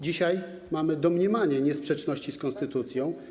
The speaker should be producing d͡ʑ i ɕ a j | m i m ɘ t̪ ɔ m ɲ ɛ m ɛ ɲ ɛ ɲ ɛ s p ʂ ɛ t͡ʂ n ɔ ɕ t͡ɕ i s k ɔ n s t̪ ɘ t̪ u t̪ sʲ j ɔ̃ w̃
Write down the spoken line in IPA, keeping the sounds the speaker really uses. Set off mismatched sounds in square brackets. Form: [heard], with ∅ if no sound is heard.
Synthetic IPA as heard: d͡ʑ i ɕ a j | m [a] m ɘ [d̪] ɔ m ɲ ɛ m [a] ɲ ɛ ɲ ɛ s p ʂ ɛ t͡ʂ n ɔ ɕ t͡ɕ i s k ɔ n s t̪ ɘ t̪ u t̪ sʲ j ɔ̃ w̃